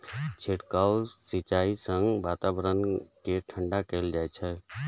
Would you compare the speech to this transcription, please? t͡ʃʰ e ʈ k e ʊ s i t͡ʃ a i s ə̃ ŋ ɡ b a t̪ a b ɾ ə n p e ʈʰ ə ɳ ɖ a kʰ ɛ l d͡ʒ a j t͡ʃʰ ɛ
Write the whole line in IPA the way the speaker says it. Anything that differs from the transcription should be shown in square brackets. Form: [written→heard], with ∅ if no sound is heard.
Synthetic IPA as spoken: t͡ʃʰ e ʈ k [e→a] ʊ s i t͡ʃ a i s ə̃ ŋ ɡ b a t̪ a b ɾ ə n [p→k] e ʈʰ ə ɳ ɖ a [kʰ→k] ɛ l d͡ʒ a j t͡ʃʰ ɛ